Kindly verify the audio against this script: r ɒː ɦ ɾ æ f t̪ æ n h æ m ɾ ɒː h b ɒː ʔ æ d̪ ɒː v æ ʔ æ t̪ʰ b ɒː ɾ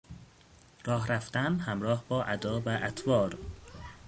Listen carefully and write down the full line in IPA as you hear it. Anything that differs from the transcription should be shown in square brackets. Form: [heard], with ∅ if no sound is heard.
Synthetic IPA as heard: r ɒː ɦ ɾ æ f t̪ æ n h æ m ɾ ɒː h b ɒː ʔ æ d̪ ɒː v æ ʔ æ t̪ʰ [v] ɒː ɾ